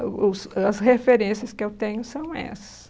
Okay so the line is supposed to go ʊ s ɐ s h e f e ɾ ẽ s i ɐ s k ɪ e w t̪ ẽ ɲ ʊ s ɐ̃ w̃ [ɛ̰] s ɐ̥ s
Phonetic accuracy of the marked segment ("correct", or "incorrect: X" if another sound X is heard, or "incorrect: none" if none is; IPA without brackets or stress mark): correct